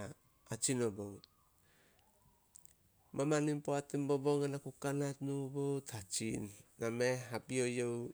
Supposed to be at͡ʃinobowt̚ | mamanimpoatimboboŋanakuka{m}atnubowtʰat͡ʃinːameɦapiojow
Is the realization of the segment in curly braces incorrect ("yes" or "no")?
yes